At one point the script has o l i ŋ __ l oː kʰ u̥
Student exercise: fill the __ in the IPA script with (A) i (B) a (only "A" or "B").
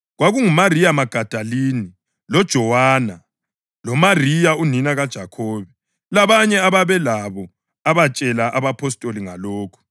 B